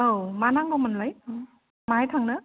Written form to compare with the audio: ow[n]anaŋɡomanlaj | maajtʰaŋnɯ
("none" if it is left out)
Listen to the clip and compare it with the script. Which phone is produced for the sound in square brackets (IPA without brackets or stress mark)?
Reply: m